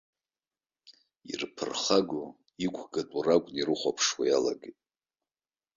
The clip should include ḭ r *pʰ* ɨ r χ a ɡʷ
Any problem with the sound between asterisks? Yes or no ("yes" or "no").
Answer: no